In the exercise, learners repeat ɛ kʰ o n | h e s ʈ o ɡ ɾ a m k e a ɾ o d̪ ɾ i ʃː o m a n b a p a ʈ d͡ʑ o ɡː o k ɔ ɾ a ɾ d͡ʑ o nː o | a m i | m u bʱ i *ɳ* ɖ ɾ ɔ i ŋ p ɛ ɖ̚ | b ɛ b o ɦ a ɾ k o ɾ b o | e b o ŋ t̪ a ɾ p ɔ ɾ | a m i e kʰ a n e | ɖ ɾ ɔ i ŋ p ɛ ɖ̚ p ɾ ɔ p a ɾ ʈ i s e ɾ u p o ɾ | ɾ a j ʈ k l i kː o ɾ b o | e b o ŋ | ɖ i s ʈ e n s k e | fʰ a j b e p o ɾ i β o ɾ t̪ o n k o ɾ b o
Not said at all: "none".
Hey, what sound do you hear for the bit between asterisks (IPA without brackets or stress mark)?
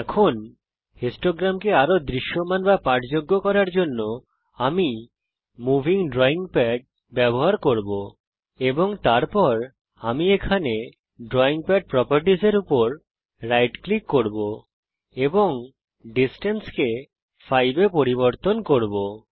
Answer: ŋ